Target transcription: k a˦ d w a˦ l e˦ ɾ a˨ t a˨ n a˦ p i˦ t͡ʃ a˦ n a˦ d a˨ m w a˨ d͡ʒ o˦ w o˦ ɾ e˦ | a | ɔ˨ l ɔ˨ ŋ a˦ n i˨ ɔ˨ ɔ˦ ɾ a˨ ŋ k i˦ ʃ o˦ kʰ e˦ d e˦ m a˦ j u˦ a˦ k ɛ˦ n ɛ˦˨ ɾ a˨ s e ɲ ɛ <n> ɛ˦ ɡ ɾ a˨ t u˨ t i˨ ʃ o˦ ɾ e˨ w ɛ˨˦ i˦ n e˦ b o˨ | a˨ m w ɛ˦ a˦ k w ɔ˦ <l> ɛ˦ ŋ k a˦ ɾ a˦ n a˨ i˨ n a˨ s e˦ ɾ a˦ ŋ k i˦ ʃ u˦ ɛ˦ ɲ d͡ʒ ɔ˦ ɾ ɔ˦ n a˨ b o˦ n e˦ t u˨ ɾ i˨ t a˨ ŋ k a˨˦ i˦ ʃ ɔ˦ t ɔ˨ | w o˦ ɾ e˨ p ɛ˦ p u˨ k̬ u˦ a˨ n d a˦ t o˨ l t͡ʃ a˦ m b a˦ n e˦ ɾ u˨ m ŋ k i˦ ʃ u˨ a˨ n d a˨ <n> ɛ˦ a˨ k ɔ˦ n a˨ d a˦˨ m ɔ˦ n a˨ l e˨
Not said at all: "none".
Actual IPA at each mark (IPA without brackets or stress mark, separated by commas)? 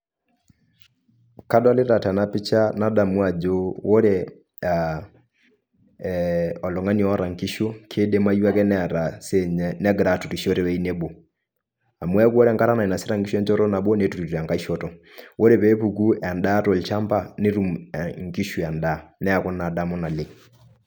n, ɾ, n